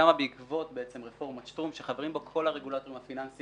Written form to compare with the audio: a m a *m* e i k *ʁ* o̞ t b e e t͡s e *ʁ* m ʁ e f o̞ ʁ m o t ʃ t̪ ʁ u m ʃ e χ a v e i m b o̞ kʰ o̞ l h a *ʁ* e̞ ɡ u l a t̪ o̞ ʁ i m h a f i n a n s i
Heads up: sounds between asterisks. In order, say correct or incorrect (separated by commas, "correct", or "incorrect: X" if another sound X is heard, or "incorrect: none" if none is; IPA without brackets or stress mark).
incorrect: b, incorrect: v, incorrect: none, correct